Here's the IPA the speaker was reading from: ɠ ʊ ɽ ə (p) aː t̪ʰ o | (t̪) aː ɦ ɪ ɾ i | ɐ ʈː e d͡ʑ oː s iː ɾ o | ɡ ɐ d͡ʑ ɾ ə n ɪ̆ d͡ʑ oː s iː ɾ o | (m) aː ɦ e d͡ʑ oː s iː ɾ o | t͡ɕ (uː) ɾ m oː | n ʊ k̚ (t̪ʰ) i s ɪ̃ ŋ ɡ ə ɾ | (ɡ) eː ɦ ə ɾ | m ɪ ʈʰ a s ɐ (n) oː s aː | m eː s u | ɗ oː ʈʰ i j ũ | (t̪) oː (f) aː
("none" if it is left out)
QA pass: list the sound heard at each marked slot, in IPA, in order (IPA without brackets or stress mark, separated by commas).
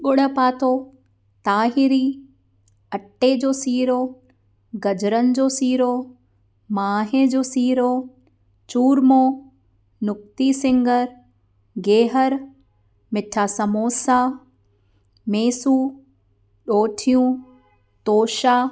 p, t̪, m, uː, t̪, ɡ, m, t̪, ʃ